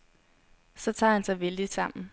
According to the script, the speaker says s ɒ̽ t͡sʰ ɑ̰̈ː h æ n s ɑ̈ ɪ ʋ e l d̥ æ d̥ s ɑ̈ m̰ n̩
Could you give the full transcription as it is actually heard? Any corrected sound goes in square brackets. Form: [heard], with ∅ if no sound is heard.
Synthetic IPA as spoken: s ɒ̽ t͡sʰ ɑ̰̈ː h æ n s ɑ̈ ɪ ʋ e l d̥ [i] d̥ s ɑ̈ m̰ n̩